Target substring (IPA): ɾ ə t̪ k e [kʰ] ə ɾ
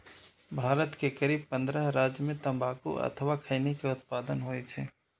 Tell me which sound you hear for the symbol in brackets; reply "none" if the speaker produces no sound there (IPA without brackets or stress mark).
k